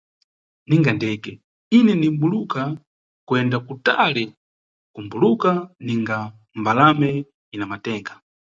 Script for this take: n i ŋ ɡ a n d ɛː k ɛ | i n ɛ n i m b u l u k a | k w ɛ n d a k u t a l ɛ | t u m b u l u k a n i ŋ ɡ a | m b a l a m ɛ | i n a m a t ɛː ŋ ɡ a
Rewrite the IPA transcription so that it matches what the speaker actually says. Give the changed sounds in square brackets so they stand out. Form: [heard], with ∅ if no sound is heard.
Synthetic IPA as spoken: n i ŋ ɡ a n d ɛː k ɛ | i n ɛ n i m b u l u k a | k w ɛ n d a k u t a l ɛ | [k] u m b u l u k a n i ŋ ɡ a | m b a l a m ɛ | i n a m a t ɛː ŋ ɡ a